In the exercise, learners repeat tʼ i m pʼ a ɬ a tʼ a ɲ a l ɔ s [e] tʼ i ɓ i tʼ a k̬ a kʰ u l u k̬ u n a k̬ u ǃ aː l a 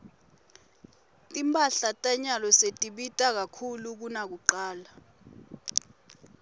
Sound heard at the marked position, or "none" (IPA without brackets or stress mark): e